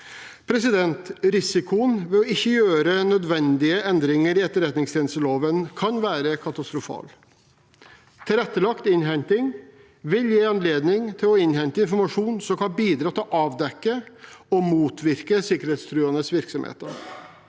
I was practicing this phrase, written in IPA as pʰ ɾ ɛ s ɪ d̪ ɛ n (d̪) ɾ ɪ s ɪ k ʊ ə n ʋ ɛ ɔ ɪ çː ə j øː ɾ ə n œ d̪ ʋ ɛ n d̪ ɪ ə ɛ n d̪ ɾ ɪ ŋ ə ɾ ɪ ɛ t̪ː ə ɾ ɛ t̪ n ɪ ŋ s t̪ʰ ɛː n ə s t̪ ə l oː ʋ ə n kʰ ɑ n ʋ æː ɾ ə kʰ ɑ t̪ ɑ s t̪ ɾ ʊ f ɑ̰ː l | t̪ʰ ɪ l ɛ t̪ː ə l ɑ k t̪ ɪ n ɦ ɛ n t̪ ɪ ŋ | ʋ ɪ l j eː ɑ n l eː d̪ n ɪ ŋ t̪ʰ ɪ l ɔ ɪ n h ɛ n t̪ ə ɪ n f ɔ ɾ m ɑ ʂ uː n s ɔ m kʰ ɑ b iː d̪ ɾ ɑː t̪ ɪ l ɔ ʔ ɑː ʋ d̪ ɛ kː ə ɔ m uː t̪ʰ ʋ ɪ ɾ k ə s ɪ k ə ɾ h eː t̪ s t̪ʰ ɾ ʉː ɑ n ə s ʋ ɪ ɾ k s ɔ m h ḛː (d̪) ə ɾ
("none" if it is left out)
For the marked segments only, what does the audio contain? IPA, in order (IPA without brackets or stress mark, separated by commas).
t̪, t̪